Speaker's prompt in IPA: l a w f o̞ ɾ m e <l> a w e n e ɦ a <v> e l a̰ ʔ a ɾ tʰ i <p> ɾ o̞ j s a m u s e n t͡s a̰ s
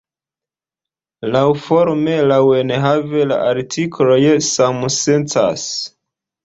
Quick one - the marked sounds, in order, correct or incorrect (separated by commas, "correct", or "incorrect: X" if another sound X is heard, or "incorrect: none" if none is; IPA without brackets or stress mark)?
correct, correct, incorrect: k